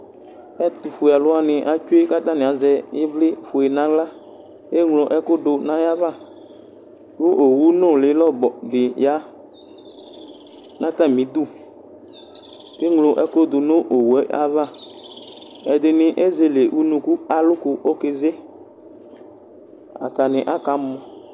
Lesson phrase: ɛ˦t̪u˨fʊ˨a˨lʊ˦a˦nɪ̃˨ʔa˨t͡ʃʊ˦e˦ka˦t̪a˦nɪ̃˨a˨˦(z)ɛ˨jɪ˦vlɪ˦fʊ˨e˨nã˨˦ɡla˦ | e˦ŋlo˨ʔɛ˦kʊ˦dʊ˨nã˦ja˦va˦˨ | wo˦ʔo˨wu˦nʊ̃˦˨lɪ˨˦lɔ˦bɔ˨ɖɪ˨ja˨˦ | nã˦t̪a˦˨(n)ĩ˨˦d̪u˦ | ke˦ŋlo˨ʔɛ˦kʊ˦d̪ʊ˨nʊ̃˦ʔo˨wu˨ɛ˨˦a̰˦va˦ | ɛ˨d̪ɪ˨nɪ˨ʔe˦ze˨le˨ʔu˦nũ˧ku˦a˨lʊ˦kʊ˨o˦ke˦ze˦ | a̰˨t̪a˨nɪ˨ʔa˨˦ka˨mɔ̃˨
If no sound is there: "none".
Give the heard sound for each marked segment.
z, m

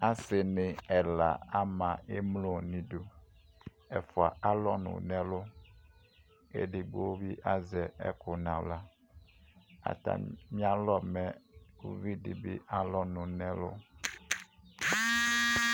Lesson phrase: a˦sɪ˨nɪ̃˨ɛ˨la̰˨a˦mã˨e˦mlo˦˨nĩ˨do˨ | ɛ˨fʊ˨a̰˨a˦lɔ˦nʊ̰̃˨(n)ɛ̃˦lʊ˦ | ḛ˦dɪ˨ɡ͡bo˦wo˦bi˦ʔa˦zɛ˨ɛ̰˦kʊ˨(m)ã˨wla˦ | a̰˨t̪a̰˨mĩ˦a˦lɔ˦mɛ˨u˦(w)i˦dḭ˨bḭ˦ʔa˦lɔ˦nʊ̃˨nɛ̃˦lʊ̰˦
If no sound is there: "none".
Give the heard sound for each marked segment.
n, n, v

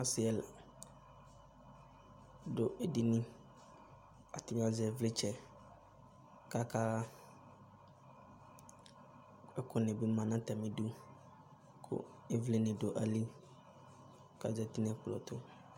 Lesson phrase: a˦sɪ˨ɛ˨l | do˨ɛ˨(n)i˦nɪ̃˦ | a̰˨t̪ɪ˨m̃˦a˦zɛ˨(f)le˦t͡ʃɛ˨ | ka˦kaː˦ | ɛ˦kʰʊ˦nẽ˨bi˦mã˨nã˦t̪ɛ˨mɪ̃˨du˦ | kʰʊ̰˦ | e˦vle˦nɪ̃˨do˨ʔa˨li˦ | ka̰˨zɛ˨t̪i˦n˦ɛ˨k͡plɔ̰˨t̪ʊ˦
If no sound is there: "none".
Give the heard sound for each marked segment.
d, v

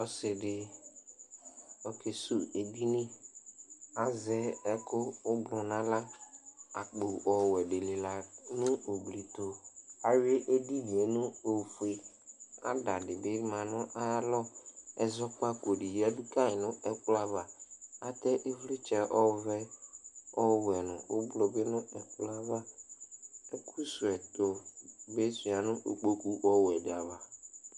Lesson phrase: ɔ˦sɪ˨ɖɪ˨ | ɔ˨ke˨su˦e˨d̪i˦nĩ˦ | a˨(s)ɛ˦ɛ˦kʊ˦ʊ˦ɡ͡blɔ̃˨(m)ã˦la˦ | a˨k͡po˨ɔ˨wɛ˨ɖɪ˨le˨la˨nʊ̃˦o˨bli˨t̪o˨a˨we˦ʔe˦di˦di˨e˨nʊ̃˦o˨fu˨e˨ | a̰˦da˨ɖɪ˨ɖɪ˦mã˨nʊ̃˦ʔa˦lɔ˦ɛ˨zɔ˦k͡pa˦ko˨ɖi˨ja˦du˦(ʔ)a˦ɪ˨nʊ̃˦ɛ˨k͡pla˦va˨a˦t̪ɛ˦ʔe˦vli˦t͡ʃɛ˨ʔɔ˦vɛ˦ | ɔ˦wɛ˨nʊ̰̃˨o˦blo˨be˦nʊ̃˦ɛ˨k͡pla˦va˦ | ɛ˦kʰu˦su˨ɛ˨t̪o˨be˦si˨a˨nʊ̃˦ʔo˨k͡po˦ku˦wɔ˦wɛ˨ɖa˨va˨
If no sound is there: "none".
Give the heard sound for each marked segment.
z, n, k

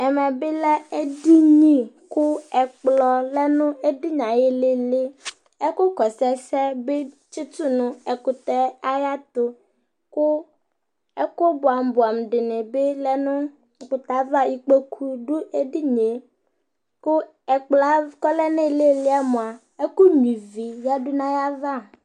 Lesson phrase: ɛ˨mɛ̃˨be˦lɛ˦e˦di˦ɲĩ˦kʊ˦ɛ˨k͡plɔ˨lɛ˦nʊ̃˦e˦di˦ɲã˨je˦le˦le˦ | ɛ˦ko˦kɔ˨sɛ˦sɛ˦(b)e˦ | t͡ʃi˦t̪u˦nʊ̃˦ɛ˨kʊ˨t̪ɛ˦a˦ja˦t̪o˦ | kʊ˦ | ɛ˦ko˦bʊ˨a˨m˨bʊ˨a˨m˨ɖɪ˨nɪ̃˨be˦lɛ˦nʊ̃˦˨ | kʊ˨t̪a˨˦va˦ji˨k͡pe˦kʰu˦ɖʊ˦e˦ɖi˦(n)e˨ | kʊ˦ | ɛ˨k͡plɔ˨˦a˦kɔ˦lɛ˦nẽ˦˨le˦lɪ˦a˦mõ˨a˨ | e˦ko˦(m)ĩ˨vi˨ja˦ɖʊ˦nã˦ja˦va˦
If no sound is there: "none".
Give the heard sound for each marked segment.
b, ɲ, ɲ

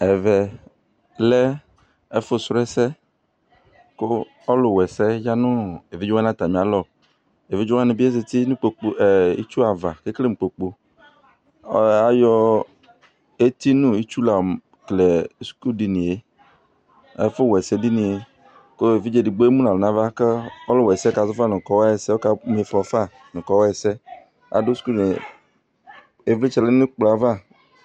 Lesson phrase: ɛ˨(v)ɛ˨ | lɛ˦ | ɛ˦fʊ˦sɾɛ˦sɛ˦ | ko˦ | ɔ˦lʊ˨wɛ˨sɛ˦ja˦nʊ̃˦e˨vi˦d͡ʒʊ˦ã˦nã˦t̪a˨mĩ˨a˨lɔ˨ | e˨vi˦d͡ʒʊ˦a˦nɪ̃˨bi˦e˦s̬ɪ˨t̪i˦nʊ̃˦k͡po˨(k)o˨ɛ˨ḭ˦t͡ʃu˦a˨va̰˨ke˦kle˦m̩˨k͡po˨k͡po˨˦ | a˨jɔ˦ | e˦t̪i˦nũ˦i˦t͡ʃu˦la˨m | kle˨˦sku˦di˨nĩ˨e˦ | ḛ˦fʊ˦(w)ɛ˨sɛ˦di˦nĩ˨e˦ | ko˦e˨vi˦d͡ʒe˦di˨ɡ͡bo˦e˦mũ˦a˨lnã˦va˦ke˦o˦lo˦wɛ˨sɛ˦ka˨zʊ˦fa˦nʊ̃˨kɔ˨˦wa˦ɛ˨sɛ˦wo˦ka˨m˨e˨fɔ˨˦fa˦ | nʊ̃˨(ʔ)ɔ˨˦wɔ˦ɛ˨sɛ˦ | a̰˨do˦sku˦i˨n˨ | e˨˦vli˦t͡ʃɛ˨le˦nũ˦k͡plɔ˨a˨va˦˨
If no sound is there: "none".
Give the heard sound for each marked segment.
v, k͡p, w, k

